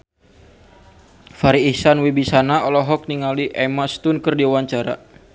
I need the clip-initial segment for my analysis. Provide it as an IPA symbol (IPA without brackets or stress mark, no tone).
f